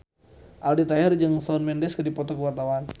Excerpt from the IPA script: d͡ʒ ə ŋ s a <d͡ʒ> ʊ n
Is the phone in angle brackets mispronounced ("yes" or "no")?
yes